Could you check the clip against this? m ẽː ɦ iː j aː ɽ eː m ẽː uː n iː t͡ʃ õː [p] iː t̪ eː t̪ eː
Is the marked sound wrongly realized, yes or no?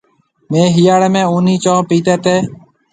no